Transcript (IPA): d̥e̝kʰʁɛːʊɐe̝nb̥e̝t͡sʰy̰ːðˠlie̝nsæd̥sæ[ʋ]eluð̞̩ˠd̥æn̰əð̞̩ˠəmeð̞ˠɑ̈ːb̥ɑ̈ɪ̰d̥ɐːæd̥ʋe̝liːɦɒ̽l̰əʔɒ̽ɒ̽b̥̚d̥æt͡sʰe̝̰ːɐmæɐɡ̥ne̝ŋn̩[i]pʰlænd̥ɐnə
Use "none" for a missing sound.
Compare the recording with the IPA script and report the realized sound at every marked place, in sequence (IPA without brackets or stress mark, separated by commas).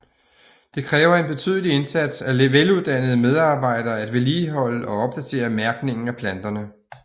ʋ, æ